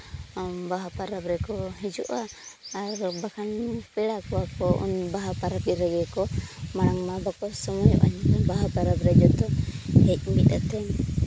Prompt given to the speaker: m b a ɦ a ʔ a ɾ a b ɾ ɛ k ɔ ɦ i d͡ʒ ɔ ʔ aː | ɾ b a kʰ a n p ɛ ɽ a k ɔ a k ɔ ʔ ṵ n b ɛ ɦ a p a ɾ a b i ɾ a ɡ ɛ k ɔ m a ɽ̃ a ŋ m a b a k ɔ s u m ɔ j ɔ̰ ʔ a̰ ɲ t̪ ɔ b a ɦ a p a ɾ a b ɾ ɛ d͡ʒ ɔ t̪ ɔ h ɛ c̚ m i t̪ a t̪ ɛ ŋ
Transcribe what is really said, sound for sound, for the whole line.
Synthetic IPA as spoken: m b a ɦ a p a ɾ a b ɾ ɛ k ɔ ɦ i d͡ʒ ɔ ʔ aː | ɾ b a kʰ a n p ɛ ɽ a k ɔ a k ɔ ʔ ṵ n b a ɦ a p a ɾ a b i ɾ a ɡ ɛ k ɔ m a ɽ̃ a ŋ m a b a k ɔ s ɔ m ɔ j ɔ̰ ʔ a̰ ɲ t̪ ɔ b a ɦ a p a ɾ a b ɾ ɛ d͡ʒ ɔ t̪ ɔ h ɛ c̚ m i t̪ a t̪ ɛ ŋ